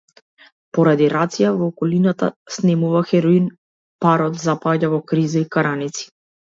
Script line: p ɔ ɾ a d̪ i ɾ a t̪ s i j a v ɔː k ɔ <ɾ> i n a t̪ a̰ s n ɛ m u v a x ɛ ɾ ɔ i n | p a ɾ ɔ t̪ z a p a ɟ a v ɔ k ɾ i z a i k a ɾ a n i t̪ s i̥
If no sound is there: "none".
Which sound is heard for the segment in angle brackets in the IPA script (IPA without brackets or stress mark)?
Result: l